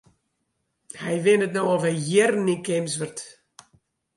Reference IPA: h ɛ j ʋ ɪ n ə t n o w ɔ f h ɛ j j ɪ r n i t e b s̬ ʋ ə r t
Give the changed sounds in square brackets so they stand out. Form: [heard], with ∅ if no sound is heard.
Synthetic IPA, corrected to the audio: h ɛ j ʋ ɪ n ə t n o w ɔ f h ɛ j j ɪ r n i [k] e [m] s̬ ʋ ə r t